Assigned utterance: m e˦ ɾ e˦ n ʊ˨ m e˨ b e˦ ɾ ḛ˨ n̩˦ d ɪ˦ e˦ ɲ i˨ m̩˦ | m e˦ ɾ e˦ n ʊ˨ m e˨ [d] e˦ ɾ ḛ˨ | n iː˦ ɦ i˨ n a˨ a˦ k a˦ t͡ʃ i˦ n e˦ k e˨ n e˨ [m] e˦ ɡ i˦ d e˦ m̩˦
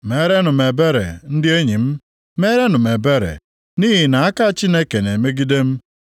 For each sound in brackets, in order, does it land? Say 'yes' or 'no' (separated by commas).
no, yes